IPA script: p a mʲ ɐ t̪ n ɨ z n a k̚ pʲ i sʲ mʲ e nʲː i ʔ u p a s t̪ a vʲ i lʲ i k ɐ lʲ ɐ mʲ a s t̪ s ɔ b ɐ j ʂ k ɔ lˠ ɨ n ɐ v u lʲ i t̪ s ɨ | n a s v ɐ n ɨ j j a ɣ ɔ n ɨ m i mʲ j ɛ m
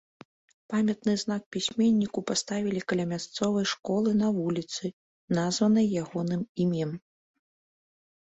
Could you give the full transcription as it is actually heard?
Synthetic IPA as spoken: p a mʲ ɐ t̪ n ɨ z n a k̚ pʲ i sʲ mʲ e nʲː i k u p a s t̪ a vʲ i lʲ i k ɐ lʲ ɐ mʲ a s t̪ s ɔ v ɐ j ʂ k ɔ lˠ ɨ n ɐ v u lʲ i t̪ s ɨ | n a z v ɐ n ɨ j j a ɣ ɔ n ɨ m i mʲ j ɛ m